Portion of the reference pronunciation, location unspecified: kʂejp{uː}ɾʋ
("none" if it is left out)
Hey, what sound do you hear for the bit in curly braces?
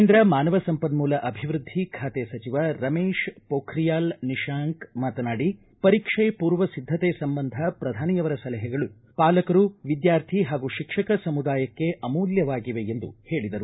uː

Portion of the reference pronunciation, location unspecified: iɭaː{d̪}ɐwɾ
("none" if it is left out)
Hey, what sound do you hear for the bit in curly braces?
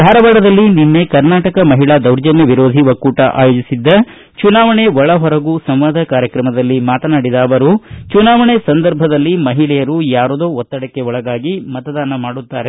d̪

